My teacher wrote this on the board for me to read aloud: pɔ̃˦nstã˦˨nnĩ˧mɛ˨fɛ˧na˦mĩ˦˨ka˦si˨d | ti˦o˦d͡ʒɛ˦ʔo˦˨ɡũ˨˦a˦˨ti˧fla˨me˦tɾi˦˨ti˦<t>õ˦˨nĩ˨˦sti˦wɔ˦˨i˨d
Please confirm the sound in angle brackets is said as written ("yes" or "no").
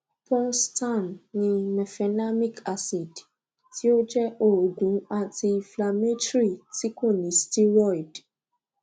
no